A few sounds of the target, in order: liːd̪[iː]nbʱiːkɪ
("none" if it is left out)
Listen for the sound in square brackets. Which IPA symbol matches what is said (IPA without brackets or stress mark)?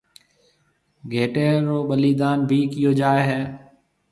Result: aː